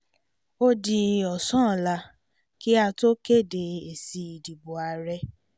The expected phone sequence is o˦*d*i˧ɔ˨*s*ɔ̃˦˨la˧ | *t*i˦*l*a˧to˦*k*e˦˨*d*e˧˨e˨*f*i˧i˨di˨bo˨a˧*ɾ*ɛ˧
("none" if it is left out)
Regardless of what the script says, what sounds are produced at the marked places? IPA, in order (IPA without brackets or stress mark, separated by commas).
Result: d, s, k, none, k, d, s, ɾ